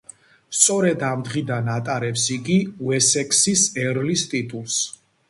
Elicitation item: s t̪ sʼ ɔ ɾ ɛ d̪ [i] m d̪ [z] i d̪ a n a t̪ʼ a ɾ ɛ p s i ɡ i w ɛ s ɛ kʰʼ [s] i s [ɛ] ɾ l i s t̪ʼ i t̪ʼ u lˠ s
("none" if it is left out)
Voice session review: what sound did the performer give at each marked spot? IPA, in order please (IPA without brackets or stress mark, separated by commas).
a, ʁ, s, ɛ